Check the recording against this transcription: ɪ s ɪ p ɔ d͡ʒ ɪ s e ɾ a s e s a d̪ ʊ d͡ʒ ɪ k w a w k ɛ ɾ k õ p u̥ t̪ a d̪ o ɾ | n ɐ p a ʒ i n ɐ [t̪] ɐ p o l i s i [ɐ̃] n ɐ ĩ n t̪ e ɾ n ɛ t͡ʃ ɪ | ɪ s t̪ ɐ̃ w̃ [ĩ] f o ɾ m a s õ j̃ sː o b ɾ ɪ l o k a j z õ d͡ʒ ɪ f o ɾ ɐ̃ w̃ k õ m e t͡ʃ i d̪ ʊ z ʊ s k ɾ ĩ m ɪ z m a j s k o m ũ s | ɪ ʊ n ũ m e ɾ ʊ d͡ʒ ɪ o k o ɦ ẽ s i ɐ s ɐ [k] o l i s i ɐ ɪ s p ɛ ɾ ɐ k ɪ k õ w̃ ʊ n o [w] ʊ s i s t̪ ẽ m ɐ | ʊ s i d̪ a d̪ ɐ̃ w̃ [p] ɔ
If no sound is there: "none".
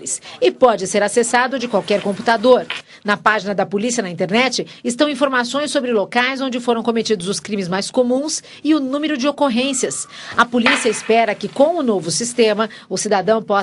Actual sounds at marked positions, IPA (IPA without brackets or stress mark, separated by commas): d̪, ɐ, ĩ, p, v, p